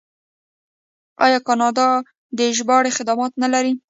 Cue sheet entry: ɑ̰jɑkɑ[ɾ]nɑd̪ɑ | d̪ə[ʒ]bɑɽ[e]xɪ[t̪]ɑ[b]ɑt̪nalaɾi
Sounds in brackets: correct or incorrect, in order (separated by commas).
incorrect, correct, correct, incorrect, incorrect